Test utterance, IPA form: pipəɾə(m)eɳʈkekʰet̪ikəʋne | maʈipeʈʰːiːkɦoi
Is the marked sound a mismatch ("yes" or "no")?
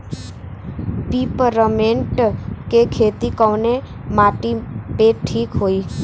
no